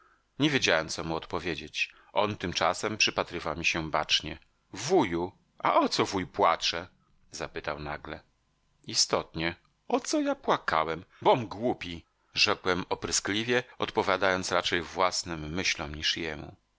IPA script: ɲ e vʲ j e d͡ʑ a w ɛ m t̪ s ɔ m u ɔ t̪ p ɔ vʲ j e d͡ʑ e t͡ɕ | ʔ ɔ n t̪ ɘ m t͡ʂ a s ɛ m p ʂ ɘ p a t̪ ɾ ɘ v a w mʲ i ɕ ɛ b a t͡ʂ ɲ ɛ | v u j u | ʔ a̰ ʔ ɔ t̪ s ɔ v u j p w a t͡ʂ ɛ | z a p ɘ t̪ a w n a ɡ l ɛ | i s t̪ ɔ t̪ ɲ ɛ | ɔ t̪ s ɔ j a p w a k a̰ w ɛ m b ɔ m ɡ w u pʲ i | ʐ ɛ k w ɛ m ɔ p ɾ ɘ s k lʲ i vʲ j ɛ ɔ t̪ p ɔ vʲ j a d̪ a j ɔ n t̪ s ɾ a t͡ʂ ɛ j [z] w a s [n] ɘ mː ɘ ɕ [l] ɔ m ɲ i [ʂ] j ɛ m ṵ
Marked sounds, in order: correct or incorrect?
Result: incorrect, correct, correct, correct

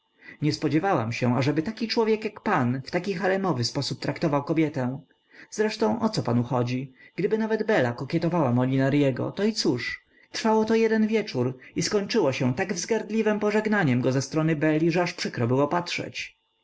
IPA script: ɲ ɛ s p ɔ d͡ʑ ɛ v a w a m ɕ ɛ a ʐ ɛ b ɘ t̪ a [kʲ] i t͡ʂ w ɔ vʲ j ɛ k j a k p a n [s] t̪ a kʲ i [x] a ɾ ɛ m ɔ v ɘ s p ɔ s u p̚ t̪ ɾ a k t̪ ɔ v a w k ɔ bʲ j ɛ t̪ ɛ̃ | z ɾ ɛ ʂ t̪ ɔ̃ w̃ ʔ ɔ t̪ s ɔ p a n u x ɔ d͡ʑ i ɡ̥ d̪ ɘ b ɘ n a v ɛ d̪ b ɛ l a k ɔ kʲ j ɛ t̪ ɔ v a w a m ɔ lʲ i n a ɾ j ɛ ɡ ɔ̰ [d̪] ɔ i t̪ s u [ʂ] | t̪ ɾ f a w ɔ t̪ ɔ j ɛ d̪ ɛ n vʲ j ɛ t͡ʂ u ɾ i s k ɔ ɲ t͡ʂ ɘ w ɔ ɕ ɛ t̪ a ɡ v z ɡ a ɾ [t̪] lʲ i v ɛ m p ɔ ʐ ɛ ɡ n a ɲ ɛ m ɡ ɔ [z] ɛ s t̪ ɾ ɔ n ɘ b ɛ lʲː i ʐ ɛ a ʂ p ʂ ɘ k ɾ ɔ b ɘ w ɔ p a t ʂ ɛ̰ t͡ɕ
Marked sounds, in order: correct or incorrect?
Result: correct, incorrect, correct, incorrect, correct, incorrect, correct

